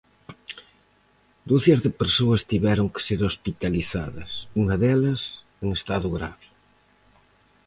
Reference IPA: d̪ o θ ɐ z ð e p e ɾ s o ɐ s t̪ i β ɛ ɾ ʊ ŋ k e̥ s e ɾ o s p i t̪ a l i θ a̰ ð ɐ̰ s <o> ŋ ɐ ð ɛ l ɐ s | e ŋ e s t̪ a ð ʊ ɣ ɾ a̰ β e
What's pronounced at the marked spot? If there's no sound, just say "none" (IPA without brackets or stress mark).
u